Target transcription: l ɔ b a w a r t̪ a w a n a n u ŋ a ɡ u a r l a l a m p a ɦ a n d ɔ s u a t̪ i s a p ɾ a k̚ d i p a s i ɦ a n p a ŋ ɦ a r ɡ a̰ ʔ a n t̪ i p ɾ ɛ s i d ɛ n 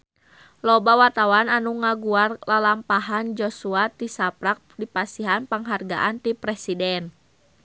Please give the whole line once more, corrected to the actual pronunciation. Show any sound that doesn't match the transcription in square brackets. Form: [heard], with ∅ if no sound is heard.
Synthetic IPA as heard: l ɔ b a w a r t̪ a w a n a n u ŋ a ɡ u a r l a l a m p a ɦ a n [d͡ʒ] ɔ s u a t̪ i s a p ɾ a k̚ d i p a s i ɦ a n p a ŋ ɦ a r ɡ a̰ ʔ a n t̪ i p ɾ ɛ s i d ɛ n